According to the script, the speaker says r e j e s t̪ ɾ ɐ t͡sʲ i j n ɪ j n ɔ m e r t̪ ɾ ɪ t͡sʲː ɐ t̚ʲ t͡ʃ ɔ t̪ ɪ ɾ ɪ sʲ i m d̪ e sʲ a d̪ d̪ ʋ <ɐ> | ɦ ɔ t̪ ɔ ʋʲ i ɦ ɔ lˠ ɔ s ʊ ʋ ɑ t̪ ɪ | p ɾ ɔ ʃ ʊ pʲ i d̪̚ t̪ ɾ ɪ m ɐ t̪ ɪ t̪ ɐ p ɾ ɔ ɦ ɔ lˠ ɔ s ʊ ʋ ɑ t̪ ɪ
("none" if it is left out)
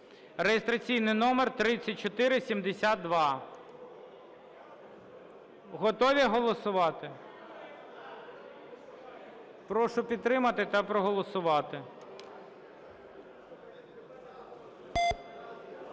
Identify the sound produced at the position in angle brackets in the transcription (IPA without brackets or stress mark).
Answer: ɑ